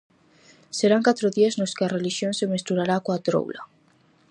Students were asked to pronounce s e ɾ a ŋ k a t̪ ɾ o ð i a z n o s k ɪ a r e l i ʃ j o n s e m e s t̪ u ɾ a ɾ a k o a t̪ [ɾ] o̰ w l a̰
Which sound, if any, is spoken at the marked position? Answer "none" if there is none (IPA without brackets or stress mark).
ɾ